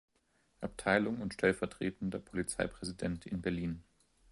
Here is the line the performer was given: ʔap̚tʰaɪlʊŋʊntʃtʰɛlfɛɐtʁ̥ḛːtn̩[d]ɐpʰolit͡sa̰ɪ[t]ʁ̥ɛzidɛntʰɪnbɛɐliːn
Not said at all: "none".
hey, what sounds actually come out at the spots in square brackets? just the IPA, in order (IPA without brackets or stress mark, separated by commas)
d, p